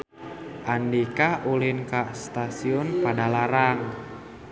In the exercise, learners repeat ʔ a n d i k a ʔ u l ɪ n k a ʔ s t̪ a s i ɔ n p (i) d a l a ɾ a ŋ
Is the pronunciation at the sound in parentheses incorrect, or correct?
incorrect: a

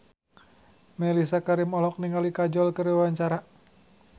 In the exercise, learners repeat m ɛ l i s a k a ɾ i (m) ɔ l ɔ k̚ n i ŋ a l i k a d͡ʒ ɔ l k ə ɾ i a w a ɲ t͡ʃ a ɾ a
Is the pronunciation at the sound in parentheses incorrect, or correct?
correct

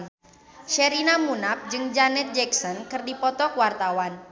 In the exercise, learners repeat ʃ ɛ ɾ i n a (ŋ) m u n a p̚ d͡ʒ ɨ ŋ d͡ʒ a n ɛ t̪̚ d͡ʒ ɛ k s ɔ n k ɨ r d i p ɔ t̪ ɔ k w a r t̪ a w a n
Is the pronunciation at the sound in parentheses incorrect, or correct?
incorrect: none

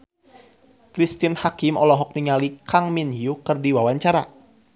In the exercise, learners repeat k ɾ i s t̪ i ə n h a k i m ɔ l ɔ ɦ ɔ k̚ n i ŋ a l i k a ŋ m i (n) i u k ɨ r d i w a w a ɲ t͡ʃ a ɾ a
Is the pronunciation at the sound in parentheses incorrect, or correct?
correct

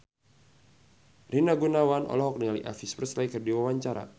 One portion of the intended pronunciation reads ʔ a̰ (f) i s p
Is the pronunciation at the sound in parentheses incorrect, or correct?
correct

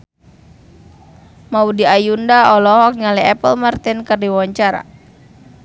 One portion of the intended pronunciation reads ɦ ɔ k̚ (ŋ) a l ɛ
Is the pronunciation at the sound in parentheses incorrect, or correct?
incorrect: ɲ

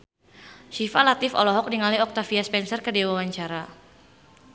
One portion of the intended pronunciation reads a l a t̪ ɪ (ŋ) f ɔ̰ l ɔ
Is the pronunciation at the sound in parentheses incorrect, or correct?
incorrect: none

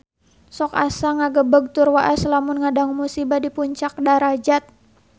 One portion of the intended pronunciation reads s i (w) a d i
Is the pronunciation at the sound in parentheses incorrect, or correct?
incorrect: b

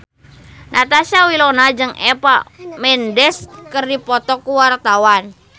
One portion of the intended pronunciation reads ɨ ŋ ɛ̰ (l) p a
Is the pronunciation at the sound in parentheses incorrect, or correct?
incorrect: none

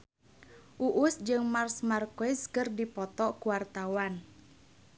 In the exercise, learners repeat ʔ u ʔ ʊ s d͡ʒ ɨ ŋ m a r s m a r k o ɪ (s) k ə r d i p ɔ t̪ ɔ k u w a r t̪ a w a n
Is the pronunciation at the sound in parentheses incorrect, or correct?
correct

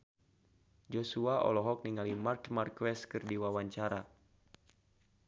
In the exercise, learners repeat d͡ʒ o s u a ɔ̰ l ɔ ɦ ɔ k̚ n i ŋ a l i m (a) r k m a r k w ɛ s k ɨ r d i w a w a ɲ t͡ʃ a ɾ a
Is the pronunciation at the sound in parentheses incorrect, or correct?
correct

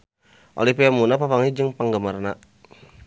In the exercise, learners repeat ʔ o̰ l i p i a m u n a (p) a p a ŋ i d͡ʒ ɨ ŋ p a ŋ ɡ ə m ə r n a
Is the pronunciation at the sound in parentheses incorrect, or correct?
correct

